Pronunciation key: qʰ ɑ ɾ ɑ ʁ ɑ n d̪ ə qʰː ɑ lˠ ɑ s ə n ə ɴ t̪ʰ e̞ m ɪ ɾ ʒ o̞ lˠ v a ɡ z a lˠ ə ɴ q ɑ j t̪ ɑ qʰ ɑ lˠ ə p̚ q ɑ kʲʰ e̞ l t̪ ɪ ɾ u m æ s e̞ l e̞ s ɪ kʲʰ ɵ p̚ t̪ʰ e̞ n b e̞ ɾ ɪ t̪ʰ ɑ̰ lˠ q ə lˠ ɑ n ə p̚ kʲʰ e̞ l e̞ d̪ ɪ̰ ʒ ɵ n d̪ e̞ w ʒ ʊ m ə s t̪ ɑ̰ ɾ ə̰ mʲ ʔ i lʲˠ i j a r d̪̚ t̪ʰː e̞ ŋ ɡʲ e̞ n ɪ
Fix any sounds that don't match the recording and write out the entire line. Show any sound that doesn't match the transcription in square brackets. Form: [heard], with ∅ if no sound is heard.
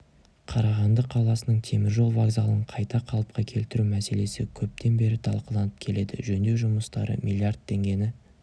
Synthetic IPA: qʰ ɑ ɾ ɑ ʁ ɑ n d̪ ə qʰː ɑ lˠ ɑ s ə n ə ɴ t̪ʰ e̞ m ɪ ɾ ʒ o̞ lˠ v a ɡ z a lˠ ə ɴ [qʰ] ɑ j t̪ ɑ qʰ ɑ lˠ ə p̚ q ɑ kʲʰ e̞ l t̪ ɪ ɾ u m æ s e̞ l e̞ s ɪ kʲʰ ɵ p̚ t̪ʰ e̞ n b e̞ ɾ ɪ t̪ʰ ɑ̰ lˠ q ə lˠ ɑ n ə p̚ kʲʰ e̞ l e̞ d̪ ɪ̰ ʒ ɵ n d̪ e̞ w ʒ ʊ m ə s t̪ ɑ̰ ɾ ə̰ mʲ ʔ i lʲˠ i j a r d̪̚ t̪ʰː e̞ ŋ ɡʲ e̞ n ɪ